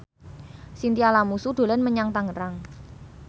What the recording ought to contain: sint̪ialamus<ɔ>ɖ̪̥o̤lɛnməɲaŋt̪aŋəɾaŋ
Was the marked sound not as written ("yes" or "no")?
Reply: yes